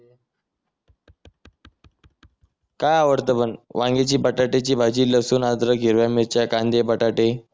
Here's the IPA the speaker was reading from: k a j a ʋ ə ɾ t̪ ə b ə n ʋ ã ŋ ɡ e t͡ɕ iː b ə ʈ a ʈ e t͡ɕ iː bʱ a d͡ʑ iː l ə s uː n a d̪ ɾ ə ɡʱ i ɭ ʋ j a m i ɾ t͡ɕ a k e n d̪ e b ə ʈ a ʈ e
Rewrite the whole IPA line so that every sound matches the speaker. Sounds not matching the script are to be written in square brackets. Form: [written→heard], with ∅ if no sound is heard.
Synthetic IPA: k a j a ʋ ə ɾ t̪ ə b ə n ʋ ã ŋ ɡ e t͡ɕ iː b ə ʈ a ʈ e t͡ɕ iː bʱ a d͡ʑ iː l ə s uː n a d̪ ɾ ə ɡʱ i [ɭ→ɾ] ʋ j a m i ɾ t͡ɕ a k [e→a] n d̪ e b ə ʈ a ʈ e